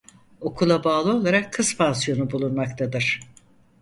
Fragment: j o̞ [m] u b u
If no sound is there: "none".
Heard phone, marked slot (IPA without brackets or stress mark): n